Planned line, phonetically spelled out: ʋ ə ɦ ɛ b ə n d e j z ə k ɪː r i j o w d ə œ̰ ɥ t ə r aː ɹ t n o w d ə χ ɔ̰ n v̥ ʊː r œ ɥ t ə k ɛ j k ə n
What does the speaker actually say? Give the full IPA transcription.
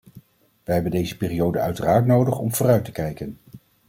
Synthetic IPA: ʋ ə ɦ ɛ b ə n d e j z ə p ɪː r i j o w d ə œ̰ ɥ t ə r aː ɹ t n o w d ə χ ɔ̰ m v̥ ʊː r œ ɥ t ə k ɛ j k ə n